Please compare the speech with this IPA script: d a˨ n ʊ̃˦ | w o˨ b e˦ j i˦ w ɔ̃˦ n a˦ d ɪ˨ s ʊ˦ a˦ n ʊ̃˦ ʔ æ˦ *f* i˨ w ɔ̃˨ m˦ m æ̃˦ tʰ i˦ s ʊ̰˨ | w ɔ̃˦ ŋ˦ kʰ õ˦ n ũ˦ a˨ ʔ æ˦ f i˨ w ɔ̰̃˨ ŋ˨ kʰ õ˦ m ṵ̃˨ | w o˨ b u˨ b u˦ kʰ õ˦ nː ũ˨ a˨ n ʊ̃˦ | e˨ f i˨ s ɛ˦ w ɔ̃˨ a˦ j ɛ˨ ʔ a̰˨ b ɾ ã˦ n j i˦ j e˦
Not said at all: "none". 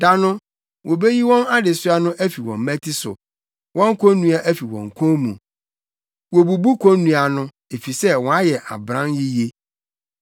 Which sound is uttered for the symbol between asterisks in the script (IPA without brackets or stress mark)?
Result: f